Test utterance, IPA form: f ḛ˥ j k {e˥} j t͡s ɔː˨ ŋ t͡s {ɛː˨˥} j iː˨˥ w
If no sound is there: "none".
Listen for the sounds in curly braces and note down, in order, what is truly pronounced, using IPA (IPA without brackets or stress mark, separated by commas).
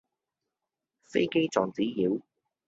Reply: e˥, iː˨˥